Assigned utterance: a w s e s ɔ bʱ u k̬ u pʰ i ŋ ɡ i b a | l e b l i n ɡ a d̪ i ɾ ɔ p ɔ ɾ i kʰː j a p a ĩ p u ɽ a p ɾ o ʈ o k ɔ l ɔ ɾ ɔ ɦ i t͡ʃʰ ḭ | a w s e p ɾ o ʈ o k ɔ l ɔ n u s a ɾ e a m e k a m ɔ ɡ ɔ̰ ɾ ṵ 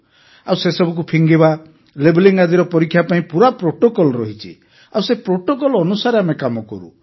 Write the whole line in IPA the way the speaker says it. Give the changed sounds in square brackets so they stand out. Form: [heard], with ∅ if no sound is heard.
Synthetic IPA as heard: a w s e s ɔ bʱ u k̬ u pʰ i ŋ ɡ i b a | l e b l i [ŋ] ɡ a d̪ i ɾ ɔ p ɔ ɾ i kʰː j a p a ĩ p u [ɾ] a p ɾ o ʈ o k ɔ l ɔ ɾ ɔ ɦ i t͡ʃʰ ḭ | a w s e p ɾ o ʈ o k ɔ l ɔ n u s a ɾ e a m e k a m ɔ [k] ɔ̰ ɾ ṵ